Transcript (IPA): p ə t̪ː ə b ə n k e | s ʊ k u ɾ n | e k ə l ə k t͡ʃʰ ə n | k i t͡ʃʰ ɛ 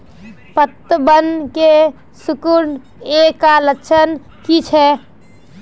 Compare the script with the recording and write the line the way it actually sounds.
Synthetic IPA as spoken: p ə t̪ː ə b ə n k e | s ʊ k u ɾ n | e k a l ə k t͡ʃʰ ə n | k i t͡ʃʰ ɛ

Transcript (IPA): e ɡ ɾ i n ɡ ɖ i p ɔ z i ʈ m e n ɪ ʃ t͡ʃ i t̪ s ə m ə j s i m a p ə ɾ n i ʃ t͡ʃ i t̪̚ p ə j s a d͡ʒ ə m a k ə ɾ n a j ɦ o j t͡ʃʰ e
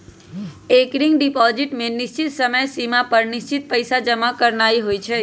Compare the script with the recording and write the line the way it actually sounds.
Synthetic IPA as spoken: e k ɾ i ŋ ɡ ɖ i p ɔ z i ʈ m e n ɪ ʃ t͡ʃ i t̪ s ə m ə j s i m a p ə ɾ n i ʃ t͡ʃ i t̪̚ p ə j s a d͡ʒ ə m a k ə ɾ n a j ɦ o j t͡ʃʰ e

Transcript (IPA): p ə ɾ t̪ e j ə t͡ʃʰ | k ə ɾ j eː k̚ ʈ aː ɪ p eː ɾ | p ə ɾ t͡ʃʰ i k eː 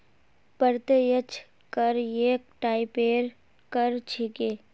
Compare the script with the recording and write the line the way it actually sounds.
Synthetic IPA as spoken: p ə ɾ t̪ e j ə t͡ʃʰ | k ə ɾ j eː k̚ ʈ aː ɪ p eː ɾ | k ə ɾ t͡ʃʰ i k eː

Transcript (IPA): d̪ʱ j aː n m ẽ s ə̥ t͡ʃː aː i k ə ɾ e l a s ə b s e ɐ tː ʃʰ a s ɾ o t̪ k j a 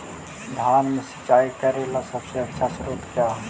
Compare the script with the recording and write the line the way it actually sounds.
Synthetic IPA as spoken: d̪ʱ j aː n m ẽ s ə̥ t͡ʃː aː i k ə ɾ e l a s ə b s e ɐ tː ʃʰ a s ɾ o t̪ k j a

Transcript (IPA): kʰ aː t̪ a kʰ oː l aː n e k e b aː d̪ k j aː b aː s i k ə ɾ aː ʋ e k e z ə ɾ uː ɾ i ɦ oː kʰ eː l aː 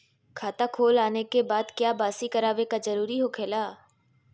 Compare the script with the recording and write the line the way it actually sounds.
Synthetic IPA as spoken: kʰ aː t̪ a kʰ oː l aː n e k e b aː d̪ k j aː b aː s i k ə ɾ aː ʋ e k a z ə ɾ uː ɾ i ɦ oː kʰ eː l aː

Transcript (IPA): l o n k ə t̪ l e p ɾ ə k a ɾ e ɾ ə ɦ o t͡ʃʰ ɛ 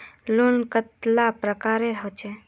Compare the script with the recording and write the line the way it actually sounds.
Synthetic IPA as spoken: l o n k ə t̪ l a p ɾ ə k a ɾ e ɾ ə ɦ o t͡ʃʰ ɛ

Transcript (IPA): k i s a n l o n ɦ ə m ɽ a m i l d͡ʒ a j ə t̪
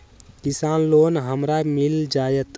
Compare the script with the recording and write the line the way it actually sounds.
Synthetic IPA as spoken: k i s a n l o n ɦ ə m ɾ a m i l d͡ʒ a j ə t̪

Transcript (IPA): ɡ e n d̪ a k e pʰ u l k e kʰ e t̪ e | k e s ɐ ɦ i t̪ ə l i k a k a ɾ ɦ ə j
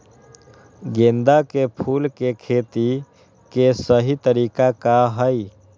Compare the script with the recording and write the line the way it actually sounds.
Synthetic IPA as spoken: ɡ e n d̪ a k e pʰ u l k e kʰ e t̪ i | k e s ə ɦ i t̪ ə ɾ i k a k a ɦ ə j

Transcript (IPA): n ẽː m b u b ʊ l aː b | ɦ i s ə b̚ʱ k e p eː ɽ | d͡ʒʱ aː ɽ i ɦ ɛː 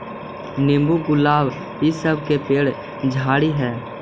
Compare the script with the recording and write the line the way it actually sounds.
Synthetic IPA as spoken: n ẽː m b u ɡ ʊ l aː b | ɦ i s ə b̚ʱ k e p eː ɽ | d͡ʒʱ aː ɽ i ɦ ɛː

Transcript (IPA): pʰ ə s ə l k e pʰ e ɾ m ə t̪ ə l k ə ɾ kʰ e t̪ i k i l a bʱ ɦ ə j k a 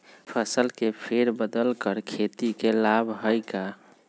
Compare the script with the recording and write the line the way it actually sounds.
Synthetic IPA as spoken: pʰ ə s ə l k e pʰ e ɾ b ə d̪ ə l k ə ɾ kʰ e t̪ i k e l a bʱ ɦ ə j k a

